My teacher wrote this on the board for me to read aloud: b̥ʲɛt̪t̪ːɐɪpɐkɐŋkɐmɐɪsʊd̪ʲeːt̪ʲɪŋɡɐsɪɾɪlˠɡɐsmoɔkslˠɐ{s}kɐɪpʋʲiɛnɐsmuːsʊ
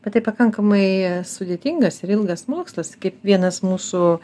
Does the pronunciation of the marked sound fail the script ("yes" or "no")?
no